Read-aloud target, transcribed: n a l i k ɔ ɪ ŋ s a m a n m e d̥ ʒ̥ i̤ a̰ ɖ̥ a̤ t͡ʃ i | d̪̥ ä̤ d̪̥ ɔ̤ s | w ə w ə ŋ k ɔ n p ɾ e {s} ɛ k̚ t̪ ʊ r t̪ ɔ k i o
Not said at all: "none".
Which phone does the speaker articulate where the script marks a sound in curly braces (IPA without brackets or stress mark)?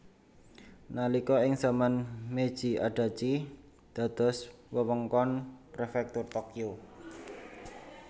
f